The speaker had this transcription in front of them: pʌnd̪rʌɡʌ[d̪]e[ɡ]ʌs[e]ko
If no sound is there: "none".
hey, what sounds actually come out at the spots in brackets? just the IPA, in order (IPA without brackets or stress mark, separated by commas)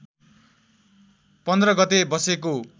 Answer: t̪, b, e